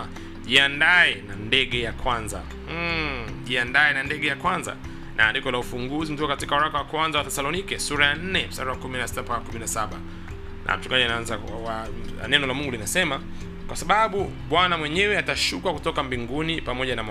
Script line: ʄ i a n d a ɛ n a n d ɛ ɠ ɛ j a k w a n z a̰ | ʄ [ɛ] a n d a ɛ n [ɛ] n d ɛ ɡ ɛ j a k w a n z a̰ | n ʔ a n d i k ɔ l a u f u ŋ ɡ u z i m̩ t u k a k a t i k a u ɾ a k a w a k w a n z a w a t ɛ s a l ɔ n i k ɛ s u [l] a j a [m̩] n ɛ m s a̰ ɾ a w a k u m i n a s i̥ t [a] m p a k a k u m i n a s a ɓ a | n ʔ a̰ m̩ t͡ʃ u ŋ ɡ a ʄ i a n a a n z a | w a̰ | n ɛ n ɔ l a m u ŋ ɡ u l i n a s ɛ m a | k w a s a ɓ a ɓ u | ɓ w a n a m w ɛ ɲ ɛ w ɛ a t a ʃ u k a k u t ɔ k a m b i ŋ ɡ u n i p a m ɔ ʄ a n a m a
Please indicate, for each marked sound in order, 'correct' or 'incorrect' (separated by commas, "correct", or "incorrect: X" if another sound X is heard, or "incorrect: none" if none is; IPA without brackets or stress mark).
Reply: incorrect: i, incorrect: a, incorrect: ɾ, incorrect: n̩, correct